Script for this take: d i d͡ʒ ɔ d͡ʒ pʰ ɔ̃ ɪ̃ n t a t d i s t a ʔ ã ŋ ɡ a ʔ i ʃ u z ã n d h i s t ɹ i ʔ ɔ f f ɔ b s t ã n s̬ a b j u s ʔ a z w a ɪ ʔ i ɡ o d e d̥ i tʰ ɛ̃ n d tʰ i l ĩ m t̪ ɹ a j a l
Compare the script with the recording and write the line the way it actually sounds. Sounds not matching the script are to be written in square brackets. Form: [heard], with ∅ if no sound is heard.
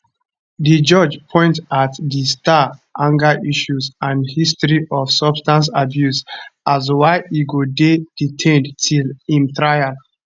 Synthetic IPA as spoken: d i d͡ʒ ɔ d͡ʒ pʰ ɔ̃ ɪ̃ n t a t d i s t a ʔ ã ŋ ɡ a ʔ i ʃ u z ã n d h i s t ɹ i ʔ ɔ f [s] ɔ b s t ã n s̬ a b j u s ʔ a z w a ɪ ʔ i ɡ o d e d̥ i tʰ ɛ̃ n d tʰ i l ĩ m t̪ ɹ a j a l